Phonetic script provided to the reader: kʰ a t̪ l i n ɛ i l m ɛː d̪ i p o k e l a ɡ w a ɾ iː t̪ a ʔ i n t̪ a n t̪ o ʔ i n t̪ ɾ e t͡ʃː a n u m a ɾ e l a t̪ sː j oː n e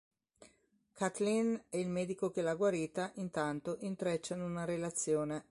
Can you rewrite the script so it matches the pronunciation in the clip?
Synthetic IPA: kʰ a t̪ l i n ɛ i l m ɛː d̪ i k o k e l a ɡ w a ɾ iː t̪ a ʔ i n t̪ a n t̪ o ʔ i n t̪ ɾ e t͡ʃː a n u n a ɾ e l a t̪ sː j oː n e